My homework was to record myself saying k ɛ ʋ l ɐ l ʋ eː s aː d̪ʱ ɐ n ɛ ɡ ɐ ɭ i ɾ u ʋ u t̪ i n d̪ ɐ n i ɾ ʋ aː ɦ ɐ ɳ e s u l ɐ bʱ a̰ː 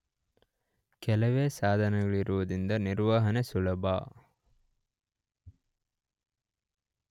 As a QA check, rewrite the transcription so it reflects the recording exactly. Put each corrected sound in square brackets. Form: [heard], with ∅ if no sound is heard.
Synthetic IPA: k ɛ [∅] l ɐ [∅] ʋ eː s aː d̪ʱ ɐ n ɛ ɡ ɐ ɭ i ɾ u ʋ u [d̪] i n d̪ ɐ n i ɾ ʋ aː ɦ ɐ [n] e s u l ɐ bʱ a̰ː